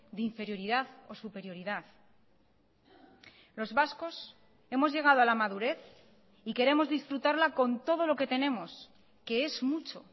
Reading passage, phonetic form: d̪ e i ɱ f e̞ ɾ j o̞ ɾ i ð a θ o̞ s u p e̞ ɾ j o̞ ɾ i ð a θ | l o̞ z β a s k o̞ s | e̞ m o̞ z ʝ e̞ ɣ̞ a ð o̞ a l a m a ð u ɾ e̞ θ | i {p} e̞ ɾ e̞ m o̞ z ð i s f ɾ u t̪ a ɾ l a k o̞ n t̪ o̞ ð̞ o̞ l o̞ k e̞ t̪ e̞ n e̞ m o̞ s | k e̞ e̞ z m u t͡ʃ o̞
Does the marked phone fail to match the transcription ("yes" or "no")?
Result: yes